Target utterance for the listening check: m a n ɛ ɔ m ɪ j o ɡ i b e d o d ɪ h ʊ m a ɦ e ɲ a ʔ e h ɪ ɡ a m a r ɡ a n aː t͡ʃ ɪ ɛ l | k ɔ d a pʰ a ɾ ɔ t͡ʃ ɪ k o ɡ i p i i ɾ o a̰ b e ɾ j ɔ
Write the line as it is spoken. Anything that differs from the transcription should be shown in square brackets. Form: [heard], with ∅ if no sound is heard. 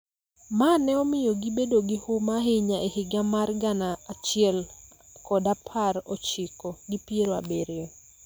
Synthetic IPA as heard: m a n ɛ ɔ m ɪ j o ɡ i b e d o [ɡ] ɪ h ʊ m a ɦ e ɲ a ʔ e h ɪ ɡ a m a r ɡ a n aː t͡ʃ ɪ ɛ l | k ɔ d a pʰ a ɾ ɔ t͡ʃ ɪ k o ɡ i p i [e] ɾ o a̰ b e ɾ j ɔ